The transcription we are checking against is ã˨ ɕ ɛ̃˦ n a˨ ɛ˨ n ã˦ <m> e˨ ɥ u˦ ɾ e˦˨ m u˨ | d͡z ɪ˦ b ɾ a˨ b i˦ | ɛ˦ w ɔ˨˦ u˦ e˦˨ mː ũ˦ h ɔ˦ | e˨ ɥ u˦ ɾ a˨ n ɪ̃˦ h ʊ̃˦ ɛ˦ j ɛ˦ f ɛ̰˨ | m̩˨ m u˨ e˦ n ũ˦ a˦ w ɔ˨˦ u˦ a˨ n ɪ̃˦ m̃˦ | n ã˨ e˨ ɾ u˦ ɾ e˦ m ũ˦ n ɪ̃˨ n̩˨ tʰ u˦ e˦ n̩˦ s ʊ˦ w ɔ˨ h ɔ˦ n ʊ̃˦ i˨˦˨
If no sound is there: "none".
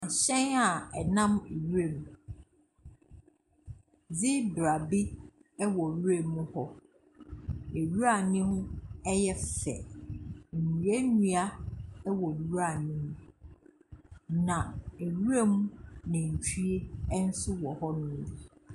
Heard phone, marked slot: m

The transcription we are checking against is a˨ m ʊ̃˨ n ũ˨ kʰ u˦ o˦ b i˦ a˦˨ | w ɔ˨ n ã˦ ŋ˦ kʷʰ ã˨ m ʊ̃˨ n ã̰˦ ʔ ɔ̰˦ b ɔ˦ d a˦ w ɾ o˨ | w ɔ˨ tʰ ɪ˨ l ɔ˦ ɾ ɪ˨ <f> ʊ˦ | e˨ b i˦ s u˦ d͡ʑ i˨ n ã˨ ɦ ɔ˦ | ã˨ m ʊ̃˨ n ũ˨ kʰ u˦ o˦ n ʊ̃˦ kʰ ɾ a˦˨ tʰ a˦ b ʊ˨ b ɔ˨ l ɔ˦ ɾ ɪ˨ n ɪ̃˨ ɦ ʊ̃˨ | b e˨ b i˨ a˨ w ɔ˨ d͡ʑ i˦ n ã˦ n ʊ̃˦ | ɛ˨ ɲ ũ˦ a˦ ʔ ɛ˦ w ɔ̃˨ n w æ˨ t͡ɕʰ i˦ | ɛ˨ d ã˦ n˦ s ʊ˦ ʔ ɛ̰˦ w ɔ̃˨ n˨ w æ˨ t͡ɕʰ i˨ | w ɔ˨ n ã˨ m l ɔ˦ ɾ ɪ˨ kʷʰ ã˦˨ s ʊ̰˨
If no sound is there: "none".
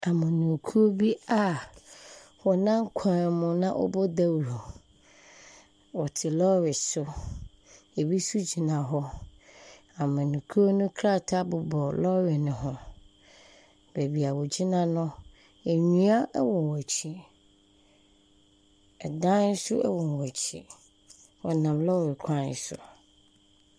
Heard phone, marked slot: s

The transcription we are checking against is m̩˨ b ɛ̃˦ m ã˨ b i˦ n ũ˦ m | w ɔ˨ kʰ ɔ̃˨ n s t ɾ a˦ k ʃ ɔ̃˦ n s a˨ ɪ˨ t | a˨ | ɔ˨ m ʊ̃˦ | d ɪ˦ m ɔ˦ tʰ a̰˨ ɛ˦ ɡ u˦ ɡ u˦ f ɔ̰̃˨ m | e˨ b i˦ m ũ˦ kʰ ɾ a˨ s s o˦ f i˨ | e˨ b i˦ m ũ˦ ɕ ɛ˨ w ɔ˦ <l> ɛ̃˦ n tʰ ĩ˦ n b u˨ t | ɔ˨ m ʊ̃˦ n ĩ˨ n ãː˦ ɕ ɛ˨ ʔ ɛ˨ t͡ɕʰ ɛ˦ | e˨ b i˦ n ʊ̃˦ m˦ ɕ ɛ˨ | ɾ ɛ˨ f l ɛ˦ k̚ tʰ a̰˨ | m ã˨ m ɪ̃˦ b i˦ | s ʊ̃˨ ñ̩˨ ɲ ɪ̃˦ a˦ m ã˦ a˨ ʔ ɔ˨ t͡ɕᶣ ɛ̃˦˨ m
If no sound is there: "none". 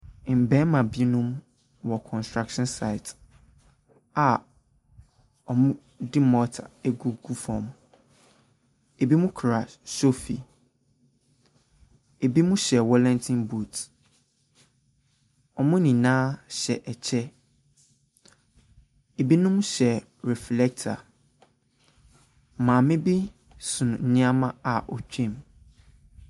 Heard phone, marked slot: l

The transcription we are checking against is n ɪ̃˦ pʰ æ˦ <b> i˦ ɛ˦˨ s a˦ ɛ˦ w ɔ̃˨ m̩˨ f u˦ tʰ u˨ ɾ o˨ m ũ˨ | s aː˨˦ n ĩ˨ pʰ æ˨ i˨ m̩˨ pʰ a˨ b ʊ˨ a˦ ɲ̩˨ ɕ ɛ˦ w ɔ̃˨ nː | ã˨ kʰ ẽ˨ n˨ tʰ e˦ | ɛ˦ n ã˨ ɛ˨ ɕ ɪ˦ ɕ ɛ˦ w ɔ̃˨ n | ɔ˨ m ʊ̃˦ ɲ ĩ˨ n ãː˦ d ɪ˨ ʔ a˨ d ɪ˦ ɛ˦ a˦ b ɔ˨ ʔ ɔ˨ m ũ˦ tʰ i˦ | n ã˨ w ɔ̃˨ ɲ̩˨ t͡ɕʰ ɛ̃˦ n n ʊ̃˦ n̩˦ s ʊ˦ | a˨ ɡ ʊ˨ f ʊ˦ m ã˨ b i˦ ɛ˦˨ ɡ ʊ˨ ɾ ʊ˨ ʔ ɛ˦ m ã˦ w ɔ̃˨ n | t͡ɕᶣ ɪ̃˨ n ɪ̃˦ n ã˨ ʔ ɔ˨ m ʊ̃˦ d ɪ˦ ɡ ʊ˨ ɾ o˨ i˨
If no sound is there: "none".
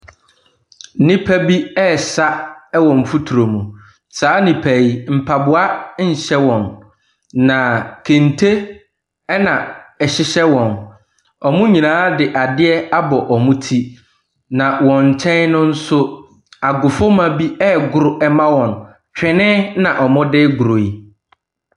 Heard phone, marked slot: b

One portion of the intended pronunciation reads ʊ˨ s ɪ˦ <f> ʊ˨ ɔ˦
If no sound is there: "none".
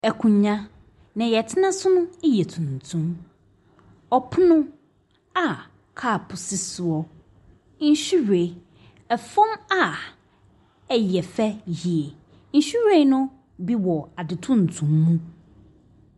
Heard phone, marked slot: s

